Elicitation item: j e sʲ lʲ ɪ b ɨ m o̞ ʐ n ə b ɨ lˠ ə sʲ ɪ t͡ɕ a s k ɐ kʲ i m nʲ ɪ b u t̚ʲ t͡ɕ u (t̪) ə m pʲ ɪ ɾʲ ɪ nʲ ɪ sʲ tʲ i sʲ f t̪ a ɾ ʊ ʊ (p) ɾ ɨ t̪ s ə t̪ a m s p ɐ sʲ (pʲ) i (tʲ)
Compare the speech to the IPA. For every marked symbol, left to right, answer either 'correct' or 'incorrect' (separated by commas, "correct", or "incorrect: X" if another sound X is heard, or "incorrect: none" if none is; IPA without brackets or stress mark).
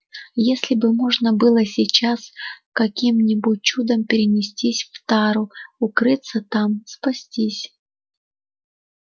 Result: incorrect: d̪, incorrect: k, incorrect: tʲ, incorrect: sʲ